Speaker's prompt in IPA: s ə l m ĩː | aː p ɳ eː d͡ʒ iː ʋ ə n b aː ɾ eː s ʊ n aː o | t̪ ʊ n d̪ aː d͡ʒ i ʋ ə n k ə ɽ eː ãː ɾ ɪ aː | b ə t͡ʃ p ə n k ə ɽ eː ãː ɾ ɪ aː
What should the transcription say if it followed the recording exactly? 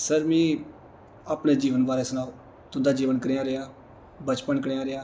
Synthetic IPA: s ə ɾ m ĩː | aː p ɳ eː d͡ʒ iː ʋ ə n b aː ɾ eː s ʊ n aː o | t̪ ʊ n d̪ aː d͡ʒ iː ʋ ə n k ə ɾ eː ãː ɾ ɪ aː | b ə t͡ʃ p ə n k ə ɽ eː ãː ɾ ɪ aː